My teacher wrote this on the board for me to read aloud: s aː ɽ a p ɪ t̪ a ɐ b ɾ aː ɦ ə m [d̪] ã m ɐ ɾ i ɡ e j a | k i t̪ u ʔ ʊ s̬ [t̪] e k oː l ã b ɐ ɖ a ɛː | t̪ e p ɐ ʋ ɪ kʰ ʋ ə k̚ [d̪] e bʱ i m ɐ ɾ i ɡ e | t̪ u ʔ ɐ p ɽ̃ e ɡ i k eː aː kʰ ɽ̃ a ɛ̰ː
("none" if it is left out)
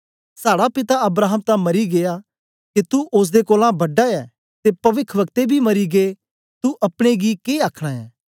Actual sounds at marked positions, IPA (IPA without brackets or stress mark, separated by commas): t̪, d̪, t̪